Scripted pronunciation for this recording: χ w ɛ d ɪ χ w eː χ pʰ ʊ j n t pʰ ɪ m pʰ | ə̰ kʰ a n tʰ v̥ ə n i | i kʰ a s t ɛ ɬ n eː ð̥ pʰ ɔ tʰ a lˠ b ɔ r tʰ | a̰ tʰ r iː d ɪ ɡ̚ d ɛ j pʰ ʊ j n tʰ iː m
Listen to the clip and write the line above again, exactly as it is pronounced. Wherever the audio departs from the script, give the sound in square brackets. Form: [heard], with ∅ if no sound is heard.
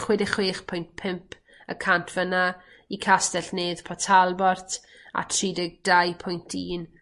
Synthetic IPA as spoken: χ w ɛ d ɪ χ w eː χ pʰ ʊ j n t pʰ ɪ m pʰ | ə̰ kʰ a n tʰ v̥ ə n [a] | i kʰ a s t ɛ ɬ n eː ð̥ pʰ ɔ tʰ a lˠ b ɔ r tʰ | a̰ tʰ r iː d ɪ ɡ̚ d [a] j pʰ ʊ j n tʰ iː [n]